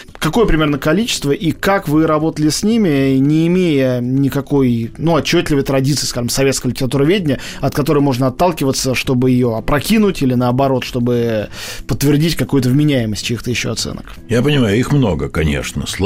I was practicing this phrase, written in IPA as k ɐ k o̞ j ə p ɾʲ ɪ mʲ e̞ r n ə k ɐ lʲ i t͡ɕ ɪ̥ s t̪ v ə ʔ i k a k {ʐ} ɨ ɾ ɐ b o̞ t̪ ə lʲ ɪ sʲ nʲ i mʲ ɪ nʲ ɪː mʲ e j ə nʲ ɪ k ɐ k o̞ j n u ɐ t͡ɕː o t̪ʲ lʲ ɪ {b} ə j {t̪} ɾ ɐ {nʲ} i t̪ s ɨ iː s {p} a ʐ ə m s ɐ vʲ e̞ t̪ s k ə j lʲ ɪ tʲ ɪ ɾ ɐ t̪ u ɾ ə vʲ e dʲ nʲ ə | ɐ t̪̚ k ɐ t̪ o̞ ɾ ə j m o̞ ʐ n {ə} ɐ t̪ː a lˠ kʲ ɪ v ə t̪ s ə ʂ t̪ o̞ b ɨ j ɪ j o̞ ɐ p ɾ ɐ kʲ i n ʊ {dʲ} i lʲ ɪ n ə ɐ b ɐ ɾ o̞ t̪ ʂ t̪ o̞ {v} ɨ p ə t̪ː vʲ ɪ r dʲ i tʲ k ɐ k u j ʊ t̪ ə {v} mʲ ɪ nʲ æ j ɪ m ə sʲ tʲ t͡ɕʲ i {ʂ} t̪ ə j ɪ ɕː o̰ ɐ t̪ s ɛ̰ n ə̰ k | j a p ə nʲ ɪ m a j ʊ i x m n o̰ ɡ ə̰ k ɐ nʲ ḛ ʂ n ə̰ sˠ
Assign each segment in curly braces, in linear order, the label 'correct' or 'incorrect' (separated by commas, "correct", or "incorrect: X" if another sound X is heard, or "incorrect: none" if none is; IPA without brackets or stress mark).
incorrect: v, incorrect: v, correct, incorrect: dʲ, incorrect: k, correct, incorrect: tʲ, incorrect: b, correct, incorrect: x